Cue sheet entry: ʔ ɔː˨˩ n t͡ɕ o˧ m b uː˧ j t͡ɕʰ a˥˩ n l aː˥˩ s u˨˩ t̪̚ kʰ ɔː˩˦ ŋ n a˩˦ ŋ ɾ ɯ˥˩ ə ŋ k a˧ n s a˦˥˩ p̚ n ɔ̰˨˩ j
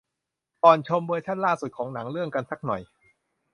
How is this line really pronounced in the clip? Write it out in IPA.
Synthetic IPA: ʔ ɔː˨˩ n t͡ɕʰ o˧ m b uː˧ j t͡ɕʰ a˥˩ n l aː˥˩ s u˨˩ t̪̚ kʰ ɔː˩˦ ŋ n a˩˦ ŋ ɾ ɯ˥˩ ə ŋ k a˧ n s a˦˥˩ k̚ n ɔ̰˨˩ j